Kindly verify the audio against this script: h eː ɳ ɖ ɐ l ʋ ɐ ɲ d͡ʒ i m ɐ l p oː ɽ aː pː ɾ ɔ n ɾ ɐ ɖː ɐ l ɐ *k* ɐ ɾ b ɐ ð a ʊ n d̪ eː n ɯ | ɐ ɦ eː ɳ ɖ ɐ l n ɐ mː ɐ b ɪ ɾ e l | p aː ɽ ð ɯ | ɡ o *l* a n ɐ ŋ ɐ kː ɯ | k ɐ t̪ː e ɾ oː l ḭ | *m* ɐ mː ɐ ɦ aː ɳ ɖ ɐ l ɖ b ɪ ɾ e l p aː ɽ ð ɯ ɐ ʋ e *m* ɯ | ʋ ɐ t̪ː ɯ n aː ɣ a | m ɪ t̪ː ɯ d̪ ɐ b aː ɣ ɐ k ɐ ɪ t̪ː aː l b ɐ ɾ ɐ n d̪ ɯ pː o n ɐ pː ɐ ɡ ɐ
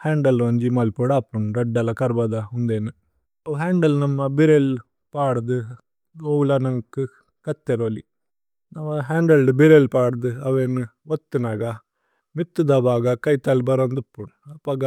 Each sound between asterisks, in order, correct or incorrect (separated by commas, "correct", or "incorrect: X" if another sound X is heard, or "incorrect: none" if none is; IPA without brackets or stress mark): correct, correct, incorrect: n, incorrect: n